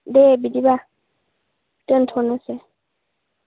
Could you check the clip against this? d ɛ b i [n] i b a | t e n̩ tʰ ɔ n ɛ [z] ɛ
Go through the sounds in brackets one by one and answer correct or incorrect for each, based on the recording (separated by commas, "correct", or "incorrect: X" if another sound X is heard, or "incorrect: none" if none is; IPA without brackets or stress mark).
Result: incorrect: d, incorrect: s